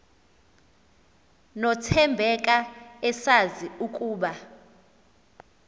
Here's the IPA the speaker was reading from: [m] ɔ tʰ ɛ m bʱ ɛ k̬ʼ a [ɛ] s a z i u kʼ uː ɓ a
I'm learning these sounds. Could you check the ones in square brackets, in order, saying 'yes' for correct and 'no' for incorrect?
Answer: no, yes

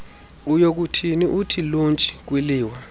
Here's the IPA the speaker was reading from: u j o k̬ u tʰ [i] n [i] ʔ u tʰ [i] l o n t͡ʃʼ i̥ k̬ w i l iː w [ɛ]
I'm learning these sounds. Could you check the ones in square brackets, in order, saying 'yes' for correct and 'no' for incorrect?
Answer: yes, yes, yes, no

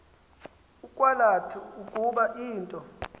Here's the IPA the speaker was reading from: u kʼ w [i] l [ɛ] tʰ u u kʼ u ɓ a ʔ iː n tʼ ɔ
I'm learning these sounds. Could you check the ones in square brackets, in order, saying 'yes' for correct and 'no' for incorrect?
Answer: no, no

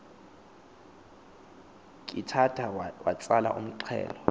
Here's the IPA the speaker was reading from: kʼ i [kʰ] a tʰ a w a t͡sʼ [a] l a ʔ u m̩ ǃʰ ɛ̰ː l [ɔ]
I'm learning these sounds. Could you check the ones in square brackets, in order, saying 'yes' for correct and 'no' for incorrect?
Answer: no, yes, yes

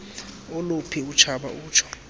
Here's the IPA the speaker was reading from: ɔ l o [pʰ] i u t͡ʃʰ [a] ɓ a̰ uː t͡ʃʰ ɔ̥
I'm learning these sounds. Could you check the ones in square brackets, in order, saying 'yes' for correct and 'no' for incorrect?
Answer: yes, yes

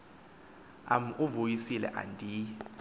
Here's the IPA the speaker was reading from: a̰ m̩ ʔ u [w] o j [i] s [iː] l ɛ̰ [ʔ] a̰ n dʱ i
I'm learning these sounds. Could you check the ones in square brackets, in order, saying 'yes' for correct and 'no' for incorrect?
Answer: no, yes, no, yes

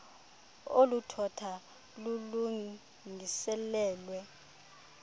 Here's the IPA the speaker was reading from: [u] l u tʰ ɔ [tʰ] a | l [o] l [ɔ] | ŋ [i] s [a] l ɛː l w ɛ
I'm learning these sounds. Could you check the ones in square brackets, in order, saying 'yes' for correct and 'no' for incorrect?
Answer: no, yes, no, no, yes, no

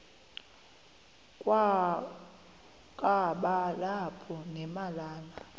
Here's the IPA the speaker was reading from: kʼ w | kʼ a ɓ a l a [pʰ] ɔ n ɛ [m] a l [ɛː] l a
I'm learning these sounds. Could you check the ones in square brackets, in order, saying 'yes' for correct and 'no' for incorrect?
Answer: yes, yes, no

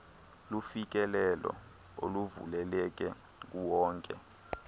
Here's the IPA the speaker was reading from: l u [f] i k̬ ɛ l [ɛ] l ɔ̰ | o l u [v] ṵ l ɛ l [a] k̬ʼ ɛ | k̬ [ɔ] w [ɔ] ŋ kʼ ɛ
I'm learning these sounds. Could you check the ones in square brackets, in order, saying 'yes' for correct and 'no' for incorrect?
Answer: yes, yes, yes, no, no, no

